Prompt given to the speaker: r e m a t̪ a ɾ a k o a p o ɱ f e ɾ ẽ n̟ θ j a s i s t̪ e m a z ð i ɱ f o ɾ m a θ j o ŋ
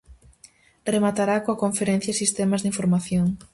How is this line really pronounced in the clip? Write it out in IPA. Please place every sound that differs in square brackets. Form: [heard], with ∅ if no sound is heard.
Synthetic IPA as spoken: r e m a t̪ a ɾ a k o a [k] o ɱ f e ɾ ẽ n̟ θ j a s i s t̪ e m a z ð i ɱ f o ɾ m a θ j o ŋ